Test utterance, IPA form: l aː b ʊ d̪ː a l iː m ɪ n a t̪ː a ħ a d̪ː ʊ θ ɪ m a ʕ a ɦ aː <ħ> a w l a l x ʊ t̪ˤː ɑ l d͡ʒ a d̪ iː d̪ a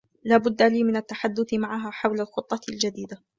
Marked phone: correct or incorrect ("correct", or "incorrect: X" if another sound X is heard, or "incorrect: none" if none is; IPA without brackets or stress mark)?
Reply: correct